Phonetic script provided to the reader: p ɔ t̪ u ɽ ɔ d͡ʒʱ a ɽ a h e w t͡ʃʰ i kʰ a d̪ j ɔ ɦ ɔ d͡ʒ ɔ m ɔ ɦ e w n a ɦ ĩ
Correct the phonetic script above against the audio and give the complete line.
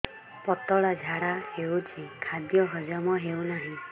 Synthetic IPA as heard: p ɔ t̪ ɔ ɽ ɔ d͡ʒʱ a ɽ a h e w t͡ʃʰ i kʰ a d̪ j ɔ ɦ ɔ d͡ʒ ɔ m ɔ ɦ e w n a ɦ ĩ